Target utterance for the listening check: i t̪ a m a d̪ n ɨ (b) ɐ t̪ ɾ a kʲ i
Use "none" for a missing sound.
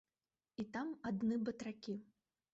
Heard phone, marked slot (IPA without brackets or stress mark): b